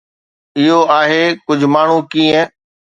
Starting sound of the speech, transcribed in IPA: ɪ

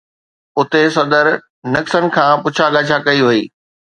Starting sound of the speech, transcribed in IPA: ʊ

